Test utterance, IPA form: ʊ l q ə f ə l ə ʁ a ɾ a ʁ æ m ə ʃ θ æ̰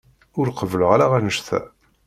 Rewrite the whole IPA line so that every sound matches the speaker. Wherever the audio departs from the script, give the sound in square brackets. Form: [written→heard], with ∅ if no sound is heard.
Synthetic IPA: ʊ [l→ɾ] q ə [f→v] ə l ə ʁ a ɾ a ʁ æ [m→n] ə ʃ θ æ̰